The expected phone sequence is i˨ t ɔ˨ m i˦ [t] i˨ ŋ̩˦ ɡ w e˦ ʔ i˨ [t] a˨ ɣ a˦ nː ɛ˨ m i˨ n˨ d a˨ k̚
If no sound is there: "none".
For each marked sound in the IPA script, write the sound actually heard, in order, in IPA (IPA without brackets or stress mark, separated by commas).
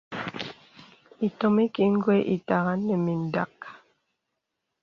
k, t